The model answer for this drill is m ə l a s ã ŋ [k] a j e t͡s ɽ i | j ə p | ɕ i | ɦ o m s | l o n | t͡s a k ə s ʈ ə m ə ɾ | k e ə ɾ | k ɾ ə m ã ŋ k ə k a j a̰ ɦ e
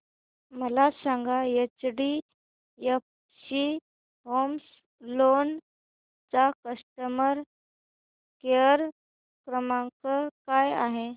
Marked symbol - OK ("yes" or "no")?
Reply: no